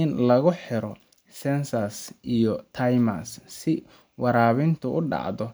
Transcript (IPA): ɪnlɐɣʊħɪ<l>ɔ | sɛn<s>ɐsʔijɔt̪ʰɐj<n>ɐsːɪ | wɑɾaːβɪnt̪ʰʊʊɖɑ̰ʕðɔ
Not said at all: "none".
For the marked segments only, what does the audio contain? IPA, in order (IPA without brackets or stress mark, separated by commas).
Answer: ɾ, s, m